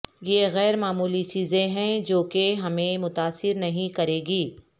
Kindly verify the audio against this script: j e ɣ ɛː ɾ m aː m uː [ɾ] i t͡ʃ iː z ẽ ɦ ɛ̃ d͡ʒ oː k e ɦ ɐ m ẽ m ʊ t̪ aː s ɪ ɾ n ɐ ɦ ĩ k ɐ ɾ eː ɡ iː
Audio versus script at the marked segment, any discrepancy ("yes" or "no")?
yes